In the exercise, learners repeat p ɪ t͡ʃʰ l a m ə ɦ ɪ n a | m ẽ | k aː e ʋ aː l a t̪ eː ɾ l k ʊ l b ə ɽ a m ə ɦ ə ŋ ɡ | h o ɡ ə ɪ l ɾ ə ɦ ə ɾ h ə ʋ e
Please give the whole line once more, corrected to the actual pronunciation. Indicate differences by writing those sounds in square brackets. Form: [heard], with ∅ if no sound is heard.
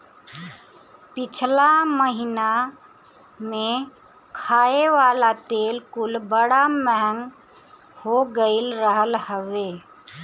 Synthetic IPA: p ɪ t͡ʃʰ l a m ə ɦ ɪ n a | m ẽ | [kʰ] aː e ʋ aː l a t̪ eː [∅] l k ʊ l b ə ɽ a m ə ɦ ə ŋ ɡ | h o ɡ ə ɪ l ɾ ə ɦ ə [l] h ə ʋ e